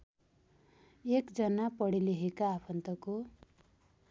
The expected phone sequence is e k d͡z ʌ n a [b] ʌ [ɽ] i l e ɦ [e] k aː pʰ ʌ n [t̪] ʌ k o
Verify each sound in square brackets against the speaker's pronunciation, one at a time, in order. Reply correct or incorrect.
incorrect, correct, correct, correct

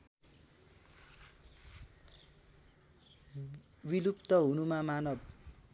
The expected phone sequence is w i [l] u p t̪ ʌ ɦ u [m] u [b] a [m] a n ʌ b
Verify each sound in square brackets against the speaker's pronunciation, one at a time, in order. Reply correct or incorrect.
correct, incorrect, incorrect, correct

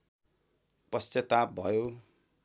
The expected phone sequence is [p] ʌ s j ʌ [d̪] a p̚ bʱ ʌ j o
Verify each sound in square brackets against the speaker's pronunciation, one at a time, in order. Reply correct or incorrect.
correct, incorrect

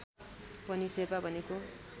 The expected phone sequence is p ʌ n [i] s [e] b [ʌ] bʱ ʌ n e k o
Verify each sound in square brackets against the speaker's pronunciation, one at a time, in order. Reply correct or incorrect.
correct, correct, incorrect

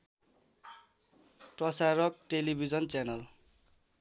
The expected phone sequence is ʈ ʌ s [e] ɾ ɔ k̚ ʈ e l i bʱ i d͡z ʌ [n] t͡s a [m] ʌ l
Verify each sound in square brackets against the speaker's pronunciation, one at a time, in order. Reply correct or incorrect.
incorrect, correct, incorrect

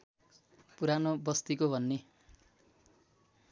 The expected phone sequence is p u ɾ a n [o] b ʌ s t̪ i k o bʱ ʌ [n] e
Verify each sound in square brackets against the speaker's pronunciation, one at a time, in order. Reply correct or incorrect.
correct, incorrect

